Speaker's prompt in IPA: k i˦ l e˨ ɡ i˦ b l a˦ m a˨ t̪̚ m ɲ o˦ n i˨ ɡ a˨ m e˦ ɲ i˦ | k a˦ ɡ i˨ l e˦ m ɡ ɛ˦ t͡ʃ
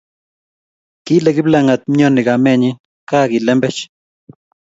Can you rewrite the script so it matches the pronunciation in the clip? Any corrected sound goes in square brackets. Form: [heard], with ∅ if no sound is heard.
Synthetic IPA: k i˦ l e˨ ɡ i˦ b l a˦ [ŋ] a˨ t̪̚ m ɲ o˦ n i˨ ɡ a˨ m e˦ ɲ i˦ | k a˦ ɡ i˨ l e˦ m [b] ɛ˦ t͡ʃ